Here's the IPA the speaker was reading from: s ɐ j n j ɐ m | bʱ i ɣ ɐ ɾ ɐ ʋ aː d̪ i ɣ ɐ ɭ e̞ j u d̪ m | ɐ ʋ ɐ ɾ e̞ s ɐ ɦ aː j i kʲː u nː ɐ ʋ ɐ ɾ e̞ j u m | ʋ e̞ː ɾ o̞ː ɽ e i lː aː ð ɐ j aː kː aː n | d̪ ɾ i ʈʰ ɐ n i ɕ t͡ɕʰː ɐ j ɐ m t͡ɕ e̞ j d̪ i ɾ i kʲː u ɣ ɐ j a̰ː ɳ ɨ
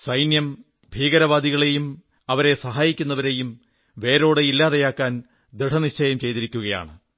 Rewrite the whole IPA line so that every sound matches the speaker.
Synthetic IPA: s ɐ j n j ɐ m | bʱ iː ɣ ɐ ɾ ɐ ʋ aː d̪ i ɣ ɐ ɭ e̞ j u m | ɐ ʋ ɐ ɾ e̞ s ɐ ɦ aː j i kʲː u nː ɐ ʋ ɐ ɾ e̞ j u m | ʋ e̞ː ɾ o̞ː ɽ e i lː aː ð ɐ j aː kː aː n | d̪ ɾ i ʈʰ ɐ n i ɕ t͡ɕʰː ɐ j ɐ m t͡ɕ e̞ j t̪ i ɾ i kʲː u ɣ ɐ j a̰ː ɳ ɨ